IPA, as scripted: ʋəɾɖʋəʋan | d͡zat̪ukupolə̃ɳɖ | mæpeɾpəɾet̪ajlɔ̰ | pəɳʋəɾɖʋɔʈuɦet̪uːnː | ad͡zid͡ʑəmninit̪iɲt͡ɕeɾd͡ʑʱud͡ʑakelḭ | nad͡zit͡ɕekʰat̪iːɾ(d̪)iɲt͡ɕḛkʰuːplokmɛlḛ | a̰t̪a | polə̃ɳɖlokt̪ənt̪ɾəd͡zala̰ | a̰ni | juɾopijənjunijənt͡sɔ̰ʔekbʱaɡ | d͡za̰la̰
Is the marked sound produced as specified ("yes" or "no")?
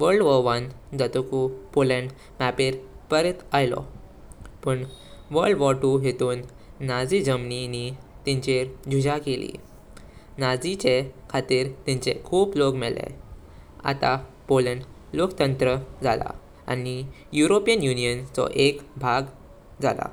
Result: no